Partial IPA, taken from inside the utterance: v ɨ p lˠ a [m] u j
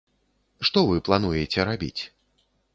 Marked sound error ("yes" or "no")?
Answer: yes